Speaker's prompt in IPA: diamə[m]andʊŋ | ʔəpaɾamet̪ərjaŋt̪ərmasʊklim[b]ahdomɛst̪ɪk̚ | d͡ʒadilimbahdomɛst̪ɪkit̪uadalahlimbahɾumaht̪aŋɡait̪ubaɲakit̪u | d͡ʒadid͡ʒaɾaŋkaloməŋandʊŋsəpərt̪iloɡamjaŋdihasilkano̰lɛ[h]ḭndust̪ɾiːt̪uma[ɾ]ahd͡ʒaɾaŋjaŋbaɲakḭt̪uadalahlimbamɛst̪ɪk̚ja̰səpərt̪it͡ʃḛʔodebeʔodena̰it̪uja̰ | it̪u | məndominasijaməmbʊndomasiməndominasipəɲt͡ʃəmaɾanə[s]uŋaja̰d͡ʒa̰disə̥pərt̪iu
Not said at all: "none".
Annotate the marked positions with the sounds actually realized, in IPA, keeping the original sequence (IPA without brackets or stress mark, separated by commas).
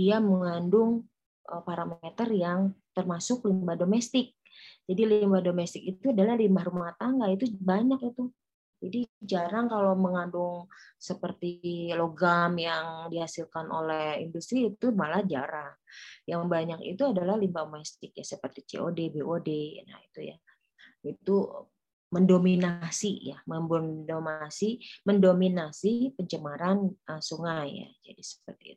ŋ, b, h, l, s